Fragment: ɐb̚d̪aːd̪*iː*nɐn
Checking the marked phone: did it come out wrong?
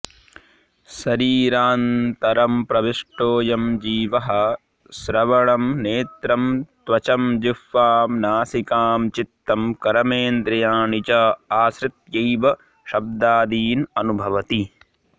no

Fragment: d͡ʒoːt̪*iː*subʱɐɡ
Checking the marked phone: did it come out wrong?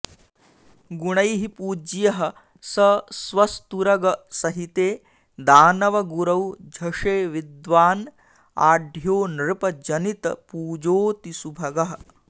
yes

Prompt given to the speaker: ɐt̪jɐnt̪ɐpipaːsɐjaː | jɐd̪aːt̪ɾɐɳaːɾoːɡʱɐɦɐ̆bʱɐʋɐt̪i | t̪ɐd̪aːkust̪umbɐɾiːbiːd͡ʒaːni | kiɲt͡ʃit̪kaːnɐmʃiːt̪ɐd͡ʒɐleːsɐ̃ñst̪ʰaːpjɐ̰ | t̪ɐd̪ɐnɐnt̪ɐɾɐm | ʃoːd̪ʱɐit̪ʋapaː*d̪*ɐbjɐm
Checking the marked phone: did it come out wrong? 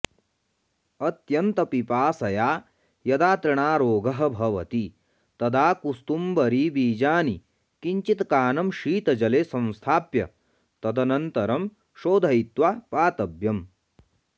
yes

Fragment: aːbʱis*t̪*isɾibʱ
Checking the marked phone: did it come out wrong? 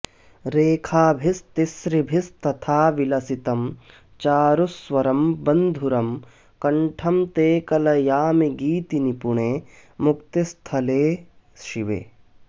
no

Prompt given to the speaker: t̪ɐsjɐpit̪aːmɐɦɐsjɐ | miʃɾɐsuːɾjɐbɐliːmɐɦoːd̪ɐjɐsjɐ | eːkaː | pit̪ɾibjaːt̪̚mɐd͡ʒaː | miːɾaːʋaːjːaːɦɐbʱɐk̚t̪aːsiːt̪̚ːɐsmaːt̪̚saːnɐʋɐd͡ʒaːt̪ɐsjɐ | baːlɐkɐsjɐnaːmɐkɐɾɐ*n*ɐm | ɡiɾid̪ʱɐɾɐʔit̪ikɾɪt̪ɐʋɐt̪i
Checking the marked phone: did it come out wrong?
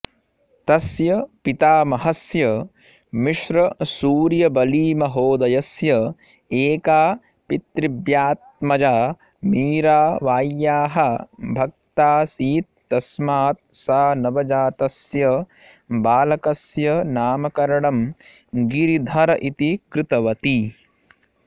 yes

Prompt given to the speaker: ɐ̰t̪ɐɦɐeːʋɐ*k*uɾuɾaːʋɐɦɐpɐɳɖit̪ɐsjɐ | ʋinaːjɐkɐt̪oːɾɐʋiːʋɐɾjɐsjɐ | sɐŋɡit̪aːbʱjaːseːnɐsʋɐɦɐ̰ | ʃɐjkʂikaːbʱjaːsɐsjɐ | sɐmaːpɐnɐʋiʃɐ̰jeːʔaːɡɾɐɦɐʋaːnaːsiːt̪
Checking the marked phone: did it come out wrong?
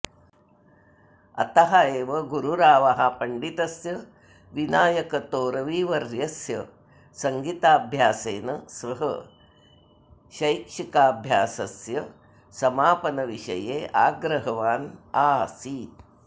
yes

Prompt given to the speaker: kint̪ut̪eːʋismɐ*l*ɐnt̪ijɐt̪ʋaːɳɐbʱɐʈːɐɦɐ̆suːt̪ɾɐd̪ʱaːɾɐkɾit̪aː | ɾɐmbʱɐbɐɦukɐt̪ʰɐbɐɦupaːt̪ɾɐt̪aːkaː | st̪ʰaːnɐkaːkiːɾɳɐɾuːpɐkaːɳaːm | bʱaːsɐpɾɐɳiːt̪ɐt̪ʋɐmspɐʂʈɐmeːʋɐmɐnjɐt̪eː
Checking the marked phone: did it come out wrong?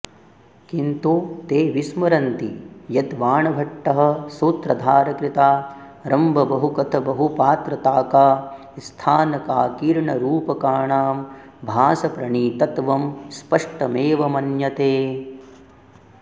yes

